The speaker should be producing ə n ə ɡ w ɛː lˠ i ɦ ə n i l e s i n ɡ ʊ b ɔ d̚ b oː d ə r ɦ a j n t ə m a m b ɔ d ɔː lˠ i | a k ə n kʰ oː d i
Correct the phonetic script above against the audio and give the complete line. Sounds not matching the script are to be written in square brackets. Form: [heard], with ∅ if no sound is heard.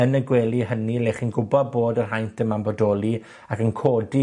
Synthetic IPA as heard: ə n ə ɡ w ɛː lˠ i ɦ ə n i l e [χ] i n ɡ ʊ b ɔ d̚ b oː d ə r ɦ a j n t ə m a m b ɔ d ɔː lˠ i | a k ə n kʰ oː d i